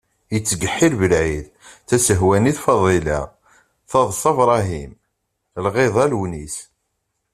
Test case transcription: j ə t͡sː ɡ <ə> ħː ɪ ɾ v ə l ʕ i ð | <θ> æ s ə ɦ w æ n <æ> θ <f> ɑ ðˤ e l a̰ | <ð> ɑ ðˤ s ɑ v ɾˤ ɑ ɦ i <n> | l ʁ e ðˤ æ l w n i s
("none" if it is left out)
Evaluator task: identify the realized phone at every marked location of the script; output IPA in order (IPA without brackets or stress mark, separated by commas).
ə, θ, i, f, θ, m